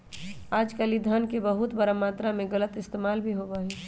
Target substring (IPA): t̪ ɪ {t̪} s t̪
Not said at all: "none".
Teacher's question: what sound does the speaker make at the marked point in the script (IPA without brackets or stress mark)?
none